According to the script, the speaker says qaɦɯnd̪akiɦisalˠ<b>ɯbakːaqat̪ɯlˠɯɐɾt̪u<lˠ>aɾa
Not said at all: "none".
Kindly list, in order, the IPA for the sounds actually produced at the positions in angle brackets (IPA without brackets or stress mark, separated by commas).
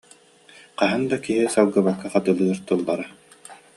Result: ɡ, lˠː